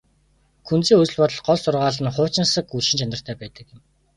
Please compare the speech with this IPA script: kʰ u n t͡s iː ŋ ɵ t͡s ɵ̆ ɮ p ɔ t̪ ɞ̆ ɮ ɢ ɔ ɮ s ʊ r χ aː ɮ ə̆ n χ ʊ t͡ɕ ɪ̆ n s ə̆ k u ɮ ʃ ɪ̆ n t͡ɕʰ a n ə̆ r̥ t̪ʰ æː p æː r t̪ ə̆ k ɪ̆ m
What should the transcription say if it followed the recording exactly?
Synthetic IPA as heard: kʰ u n t͡s iː ŋ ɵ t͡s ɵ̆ ɮ p ɔ t̪ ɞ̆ ɮ ɢ ɔ ɮ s ʊ r ʁ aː ɮ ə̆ n χ ʊː t͡ɕ ɪ̆ n s ə̆ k u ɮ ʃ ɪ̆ n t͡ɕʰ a n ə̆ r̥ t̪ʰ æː p æː t̪ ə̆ k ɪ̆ m